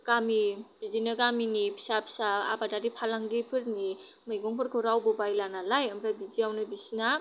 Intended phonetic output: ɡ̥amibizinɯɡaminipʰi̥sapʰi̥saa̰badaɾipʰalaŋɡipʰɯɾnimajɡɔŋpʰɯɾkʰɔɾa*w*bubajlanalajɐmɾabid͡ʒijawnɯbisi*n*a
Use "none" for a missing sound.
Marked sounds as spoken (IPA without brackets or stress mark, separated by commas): w, n